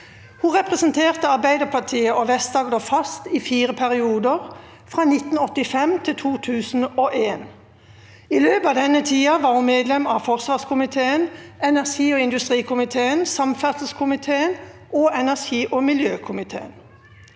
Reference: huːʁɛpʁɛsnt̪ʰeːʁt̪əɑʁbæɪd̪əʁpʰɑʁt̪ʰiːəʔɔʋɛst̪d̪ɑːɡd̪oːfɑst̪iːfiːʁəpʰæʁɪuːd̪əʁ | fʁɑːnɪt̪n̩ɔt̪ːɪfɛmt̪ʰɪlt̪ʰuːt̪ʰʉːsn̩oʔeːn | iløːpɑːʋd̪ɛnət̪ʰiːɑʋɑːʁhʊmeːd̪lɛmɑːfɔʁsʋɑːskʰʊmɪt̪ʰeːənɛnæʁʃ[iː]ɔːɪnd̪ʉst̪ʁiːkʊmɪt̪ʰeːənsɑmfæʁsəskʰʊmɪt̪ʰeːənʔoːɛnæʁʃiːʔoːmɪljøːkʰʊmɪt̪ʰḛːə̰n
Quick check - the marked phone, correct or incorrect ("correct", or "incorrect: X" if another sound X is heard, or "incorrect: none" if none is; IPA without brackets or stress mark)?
correct